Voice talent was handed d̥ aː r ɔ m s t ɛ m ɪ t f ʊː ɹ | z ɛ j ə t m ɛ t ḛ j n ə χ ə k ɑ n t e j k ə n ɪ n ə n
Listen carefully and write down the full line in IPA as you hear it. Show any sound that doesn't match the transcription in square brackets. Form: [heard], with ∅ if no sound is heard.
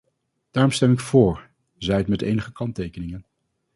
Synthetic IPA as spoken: d̥ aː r ɔ m s t ɛ m ɪ [k] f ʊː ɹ | z ɛ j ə t m ɛ t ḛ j n ə χ ə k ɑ n t e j k ə n ɪ [ŋ] ə n